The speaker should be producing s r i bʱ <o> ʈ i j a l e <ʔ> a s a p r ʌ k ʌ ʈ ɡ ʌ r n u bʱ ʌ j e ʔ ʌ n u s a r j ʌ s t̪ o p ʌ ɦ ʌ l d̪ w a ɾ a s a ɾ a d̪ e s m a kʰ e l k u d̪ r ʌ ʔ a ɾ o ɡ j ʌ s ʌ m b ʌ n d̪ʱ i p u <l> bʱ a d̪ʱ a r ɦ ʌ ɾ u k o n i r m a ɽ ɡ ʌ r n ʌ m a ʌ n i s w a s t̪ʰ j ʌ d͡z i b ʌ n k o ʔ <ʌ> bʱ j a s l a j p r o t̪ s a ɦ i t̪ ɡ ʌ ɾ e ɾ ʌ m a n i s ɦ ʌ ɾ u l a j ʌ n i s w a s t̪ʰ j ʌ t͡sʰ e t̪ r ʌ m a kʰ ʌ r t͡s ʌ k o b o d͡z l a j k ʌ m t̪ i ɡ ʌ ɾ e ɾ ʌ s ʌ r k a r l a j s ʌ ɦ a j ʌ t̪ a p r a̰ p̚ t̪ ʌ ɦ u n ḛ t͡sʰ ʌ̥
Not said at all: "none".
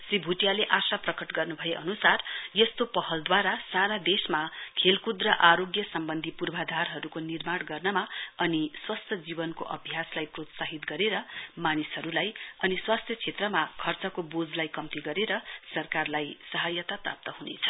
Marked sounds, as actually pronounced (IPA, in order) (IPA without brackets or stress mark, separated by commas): u, ʔ, r, ʌ